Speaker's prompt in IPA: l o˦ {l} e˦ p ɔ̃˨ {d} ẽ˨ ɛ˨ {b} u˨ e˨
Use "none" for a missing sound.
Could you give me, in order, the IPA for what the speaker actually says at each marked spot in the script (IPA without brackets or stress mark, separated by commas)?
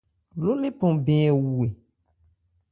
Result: l, b, w